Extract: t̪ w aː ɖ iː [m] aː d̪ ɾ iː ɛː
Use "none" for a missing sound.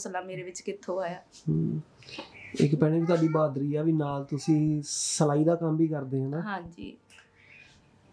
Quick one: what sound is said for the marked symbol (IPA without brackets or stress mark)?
b